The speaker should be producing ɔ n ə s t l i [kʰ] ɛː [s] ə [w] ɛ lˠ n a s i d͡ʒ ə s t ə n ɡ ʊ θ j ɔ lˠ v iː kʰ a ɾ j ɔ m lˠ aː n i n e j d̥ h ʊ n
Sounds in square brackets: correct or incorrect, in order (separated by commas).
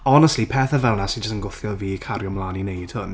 incorrect, incorrect, incorrect